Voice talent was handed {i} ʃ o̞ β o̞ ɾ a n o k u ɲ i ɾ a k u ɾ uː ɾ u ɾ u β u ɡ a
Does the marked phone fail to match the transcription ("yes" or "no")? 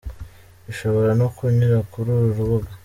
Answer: no